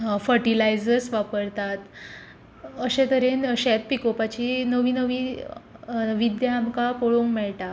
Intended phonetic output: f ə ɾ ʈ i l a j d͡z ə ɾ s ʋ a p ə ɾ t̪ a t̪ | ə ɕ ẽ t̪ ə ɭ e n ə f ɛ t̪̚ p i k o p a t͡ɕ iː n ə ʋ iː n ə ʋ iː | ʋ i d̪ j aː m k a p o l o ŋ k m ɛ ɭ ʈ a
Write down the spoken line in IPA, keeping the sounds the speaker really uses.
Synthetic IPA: f ə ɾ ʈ i l a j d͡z ə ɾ s ʋ a p ə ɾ t̪ a t̪ | ə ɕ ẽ t̪ ə ɾ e n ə ɕ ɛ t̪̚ p i k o p a t͡ɕ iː n ə ʋ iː n ə ʋ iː | ʋ i d̪ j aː m k a p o ɭ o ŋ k m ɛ ɭ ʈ a